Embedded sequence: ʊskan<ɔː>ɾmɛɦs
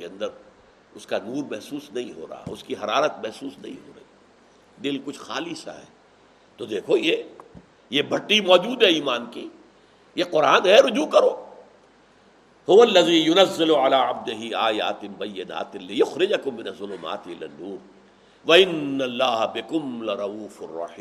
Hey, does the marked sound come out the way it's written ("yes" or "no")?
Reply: no